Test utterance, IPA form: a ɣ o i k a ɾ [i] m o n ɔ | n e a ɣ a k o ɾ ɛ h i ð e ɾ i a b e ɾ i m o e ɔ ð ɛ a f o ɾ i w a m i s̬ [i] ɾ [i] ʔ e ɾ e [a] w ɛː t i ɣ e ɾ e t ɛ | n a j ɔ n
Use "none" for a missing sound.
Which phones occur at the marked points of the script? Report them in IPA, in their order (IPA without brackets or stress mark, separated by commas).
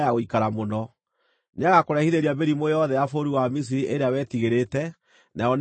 a, i, i, a